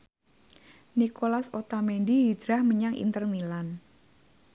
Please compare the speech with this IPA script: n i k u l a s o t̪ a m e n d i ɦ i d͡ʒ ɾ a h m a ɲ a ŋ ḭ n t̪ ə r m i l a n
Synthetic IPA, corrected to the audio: n i k o l a s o t̪ a m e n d i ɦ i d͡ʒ ɾ a h m ə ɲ a ŋ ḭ n t̪ ə r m i l a n